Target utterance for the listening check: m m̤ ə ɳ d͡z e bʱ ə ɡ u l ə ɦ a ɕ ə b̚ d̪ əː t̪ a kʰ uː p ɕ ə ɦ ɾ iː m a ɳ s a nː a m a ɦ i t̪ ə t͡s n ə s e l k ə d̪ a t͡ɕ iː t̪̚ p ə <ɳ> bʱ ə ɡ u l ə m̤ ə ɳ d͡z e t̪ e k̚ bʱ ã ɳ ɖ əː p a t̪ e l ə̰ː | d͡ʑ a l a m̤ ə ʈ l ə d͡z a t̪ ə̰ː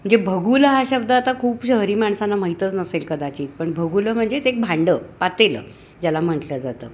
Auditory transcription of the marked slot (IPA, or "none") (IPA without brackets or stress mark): ɳ